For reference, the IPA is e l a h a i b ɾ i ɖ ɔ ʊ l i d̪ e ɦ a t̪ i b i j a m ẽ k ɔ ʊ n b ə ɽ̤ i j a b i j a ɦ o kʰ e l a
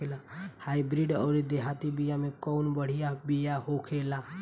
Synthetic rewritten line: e l a h a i b ɾ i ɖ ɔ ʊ ɾ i d̪ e ɦ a t̪ i b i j a m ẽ k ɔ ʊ n b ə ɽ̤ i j a b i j a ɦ o kʰ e l a